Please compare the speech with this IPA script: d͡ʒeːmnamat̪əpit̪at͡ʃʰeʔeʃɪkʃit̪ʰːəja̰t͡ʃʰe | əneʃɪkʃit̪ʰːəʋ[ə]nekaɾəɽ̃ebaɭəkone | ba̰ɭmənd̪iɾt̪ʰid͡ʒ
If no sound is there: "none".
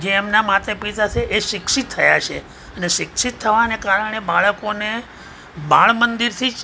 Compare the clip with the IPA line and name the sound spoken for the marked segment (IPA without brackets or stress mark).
a